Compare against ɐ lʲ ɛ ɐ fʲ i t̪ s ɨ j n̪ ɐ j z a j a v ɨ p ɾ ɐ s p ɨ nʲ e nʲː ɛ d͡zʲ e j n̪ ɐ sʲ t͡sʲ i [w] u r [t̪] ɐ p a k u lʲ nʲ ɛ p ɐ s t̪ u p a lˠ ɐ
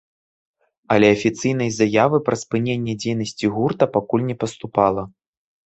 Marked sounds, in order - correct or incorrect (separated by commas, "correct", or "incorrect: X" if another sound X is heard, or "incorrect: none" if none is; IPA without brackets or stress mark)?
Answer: incorrect: ɣ, correct